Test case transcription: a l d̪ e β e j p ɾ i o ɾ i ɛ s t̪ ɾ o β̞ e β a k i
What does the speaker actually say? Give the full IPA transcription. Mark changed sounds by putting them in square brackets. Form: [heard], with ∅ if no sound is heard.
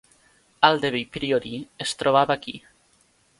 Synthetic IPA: a l d̪ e β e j p ɾ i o ɾ i [e] s t̪ ɾ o β̞ [a] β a k i

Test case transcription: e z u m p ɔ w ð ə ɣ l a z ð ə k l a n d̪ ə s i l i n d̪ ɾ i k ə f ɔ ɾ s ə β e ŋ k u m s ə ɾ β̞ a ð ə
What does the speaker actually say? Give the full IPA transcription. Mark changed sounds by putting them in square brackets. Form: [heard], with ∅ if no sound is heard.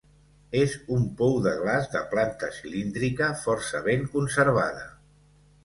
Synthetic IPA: e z u m p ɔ w ð ə ɣ l a z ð ə [p] l a n [t̪] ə s i l i n d̪ ɾ i k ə f ɔ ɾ s ə β e ŋ k u [n] s ə ɾ β̞ a ð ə

